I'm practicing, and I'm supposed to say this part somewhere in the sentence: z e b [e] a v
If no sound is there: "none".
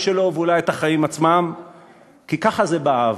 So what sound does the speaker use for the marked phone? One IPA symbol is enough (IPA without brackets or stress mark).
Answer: a